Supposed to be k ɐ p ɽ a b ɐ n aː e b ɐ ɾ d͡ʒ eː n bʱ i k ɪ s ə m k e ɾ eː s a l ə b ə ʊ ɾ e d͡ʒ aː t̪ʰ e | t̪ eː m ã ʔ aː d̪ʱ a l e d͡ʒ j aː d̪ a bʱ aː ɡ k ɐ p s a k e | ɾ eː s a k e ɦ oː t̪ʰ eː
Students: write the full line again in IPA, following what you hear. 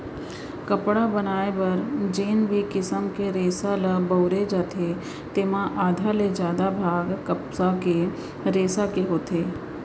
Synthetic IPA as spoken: k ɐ p ɽ a b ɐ n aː e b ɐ ɾ d͡ʒ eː n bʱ i k ɪ s ə m k e ɾ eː s a l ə b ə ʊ ɾ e d͡ʒ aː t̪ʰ e | t̪ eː m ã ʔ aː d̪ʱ a l e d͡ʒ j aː d̪ a bʱ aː ɡ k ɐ p s a k e | ɾ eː s a k e ɦ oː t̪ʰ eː